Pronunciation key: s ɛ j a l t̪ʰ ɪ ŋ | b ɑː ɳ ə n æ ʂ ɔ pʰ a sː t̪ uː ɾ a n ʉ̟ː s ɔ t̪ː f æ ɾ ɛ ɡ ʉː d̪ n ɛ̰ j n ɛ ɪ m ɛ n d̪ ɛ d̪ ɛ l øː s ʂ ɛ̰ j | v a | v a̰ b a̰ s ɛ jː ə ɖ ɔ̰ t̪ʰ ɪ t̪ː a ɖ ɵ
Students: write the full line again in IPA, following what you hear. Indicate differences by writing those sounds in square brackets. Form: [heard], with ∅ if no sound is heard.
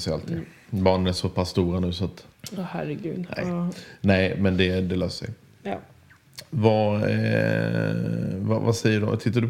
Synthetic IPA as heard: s ɛ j a l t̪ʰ ɪ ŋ | b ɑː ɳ ə n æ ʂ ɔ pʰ a sː t̪ uː ɾ a n ʉ̟ː s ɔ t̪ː [h] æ ɾ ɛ ɡ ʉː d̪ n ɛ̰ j n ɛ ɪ m ɛ n d̪ ɛ d̪ ɛ l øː s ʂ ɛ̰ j | v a | v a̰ [v] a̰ s ɛ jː ə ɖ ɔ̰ t̪ʰ ɪ t̪ː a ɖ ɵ